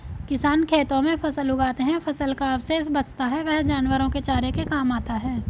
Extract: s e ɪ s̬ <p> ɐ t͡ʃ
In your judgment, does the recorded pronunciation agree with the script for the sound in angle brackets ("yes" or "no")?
no